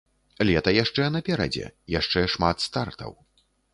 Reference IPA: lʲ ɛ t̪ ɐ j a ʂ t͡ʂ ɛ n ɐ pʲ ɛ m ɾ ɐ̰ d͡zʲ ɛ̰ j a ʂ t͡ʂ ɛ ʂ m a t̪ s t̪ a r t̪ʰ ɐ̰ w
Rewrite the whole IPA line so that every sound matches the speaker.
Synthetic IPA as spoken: lʲ ɛ t̪ ɐ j a ʂ t͡ʂ ɛ n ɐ pʲ ɛ ɾ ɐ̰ d͡zʲ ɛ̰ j a ʂ t͡ʂ ɛ ʂ m a t̪ s t̪ a r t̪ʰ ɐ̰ w